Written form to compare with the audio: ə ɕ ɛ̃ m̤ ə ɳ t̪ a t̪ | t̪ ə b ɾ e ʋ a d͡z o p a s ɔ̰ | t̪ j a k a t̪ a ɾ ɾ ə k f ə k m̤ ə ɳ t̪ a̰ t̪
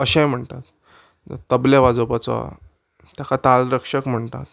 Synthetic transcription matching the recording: ə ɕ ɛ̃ m̤ ə ɳ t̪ a t̪ | t̪ ə b l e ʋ a d͡z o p a t͡s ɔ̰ | t̪ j a k a t̪ a l ɾ ə k ʂ ə k m̤ ə ɳ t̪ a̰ t̪